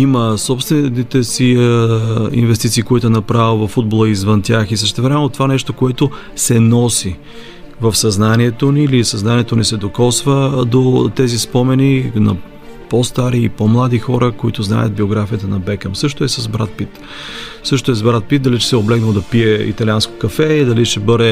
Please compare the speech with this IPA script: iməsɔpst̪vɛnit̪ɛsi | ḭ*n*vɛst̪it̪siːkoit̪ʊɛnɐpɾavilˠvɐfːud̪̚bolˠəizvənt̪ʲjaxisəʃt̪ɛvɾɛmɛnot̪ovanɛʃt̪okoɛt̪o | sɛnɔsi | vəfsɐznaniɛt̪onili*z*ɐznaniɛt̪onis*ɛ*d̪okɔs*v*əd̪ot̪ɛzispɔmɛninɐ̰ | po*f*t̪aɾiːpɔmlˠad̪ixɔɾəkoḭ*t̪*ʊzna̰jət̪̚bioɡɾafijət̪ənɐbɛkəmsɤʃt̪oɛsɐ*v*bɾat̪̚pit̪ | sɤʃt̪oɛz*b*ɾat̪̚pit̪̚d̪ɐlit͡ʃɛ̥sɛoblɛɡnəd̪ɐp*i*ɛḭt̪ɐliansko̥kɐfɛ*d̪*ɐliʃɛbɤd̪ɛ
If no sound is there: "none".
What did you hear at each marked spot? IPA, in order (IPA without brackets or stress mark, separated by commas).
n, s, ɛ, v, s, t̪, z, b, i, d̪